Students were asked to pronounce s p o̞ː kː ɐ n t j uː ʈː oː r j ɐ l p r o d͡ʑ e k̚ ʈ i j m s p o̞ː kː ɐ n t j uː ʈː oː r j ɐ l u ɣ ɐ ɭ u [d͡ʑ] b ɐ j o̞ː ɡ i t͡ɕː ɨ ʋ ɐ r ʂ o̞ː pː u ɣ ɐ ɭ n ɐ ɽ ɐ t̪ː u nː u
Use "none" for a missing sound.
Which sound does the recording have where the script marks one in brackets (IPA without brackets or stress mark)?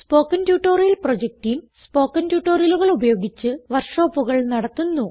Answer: none